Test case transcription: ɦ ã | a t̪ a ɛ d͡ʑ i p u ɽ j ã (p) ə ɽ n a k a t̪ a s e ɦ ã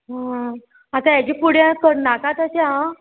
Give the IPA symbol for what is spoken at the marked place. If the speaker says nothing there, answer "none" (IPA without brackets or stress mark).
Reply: k